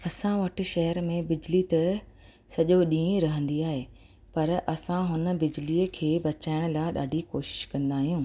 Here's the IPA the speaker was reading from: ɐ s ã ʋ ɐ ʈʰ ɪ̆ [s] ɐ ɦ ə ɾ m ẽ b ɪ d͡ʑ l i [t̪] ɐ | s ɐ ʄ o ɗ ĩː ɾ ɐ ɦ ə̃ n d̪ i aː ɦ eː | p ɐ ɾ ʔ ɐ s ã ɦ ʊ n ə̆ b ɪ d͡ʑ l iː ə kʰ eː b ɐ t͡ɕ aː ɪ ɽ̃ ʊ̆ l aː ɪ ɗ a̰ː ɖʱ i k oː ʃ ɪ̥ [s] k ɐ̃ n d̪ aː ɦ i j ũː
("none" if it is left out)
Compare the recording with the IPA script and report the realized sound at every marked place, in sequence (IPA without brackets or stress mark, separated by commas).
ʃ, t̪, ʃ